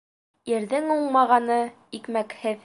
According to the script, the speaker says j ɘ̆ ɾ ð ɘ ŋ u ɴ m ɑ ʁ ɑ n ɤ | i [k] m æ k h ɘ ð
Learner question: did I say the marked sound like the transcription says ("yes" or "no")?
yes